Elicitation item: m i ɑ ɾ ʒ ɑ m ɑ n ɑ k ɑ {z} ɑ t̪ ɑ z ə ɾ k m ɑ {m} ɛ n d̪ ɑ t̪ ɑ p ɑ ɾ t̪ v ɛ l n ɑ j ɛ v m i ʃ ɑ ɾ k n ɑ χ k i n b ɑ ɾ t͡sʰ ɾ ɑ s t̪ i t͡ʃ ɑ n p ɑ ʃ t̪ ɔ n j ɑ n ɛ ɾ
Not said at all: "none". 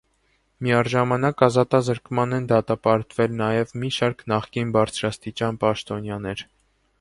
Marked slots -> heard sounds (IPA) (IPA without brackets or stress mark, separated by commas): z, n